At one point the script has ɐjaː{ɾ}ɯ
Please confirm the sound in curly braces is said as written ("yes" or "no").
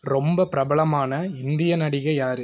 yes